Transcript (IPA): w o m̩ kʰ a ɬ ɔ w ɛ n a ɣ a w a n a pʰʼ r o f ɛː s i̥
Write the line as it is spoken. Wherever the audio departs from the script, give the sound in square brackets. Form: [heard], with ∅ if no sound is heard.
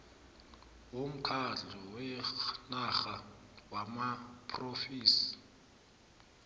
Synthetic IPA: w o m̩ kʰ a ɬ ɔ w ɛ n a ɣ a w a [m] a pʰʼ r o f [iː] s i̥